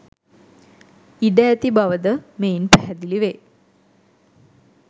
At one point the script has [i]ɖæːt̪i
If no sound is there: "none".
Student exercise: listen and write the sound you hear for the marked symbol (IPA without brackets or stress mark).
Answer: i